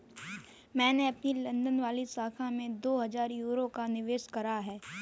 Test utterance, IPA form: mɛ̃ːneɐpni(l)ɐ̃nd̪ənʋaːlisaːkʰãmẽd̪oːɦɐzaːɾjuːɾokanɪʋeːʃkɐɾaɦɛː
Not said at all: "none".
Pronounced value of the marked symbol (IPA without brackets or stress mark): l